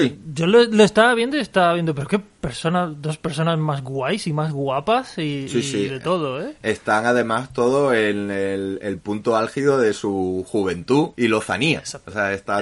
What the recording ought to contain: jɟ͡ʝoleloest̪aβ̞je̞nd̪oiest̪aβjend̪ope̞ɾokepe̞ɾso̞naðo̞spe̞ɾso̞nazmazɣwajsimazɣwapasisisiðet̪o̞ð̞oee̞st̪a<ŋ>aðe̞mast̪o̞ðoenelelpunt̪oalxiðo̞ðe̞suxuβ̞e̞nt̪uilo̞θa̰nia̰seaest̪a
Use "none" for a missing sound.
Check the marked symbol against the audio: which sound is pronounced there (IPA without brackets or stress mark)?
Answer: ŋ